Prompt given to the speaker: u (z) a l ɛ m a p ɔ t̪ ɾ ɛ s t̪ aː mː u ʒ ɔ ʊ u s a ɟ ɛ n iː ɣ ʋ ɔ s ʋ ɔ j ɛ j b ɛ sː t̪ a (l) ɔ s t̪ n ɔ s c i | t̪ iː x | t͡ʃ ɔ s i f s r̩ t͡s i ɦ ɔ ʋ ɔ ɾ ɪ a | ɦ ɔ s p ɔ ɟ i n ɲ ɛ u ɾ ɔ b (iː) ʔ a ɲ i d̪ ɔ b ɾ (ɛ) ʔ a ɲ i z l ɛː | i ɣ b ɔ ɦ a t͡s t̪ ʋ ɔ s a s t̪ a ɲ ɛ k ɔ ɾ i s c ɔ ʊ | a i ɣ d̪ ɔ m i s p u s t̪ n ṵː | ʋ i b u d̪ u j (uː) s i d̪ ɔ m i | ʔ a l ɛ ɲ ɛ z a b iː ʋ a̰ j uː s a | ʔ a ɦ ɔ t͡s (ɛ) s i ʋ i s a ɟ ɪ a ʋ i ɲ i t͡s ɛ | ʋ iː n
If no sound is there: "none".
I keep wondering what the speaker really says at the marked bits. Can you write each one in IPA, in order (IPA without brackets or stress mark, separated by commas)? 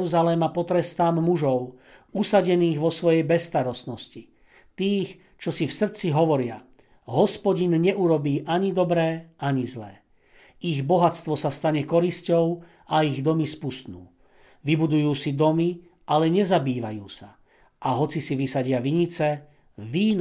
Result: z, ɾ, iː, ɛː, uː, i